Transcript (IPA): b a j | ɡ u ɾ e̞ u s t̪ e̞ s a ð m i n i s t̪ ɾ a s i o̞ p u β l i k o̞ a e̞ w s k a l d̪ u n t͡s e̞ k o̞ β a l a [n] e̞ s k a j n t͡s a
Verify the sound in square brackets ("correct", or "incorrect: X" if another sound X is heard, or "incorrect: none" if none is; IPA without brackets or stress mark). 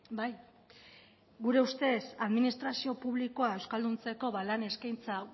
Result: correct